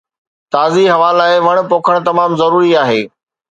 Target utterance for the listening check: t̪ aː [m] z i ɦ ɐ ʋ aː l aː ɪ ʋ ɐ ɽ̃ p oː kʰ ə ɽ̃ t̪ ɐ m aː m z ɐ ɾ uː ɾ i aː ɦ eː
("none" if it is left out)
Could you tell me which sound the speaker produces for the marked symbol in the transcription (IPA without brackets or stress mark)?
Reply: none